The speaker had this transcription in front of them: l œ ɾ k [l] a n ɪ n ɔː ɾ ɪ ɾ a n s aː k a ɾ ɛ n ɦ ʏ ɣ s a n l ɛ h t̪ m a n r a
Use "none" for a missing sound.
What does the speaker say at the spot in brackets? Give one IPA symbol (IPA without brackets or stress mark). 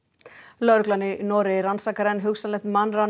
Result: l